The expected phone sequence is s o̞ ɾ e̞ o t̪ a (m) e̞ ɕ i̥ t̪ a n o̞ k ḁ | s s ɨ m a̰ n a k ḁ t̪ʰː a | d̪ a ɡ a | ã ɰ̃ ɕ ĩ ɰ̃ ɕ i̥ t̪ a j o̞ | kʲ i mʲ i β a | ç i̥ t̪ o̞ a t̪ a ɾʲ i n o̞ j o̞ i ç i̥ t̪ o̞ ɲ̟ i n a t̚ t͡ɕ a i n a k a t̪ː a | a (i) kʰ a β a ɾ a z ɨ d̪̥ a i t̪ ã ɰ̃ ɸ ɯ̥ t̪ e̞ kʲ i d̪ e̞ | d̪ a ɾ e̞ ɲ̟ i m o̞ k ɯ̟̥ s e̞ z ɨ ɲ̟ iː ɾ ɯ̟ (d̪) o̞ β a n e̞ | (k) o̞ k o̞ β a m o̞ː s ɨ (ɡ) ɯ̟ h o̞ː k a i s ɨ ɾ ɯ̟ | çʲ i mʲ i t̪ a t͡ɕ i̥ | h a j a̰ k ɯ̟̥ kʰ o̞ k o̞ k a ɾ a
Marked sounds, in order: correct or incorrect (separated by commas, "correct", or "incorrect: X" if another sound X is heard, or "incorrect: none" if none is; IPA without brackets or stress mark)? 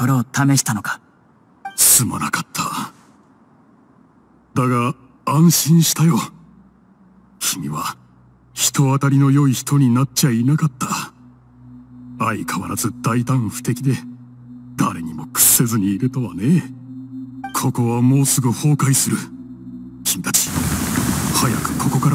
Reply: correct, correct, incorrect: t̪, incorrect: kʰ, correct